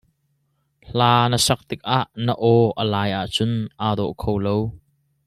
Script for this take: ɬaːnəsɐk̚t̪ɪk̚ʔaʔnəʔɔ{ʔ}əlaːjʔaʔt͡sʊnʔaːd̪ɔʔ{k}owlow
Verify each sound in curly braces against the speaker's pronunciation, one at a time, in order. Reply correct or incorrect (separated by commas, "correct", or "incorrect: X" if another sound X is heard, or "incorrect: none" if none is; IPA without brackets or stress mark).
correct, incorrect: kʰ